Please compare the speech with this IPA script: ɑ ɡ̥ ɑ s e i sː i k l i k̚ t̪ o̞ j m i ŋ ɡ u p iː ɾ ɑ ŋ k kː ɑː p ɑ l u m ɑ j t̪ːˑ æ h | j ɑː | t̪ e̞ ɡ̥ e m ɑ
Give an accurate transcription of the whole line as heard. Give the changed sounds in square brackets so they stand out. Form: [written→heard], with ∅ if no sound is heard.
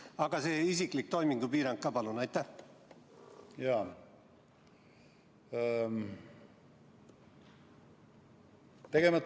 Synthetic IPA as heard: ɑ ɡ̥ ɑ s e i [sː→s] i k l i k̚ t̪ o̞ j m i ŋ ɡ u p iː ɾ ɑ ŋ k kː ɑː p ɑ l u [m→n] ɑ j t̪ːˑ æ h | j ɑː | t̪ e̞ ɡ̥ e m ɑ